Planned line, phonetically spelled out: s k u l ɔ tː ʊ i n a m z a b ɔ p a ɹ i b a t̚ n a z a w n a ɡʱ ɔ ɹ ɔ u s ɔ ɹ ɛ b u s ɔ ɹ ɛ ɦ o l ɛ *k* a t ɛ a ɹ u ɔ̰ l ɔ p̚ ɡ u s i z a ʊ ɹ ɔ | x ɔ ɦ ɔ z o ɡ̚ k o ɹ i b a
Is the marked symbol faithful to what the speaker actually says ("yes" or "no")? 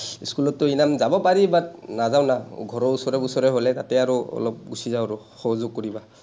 no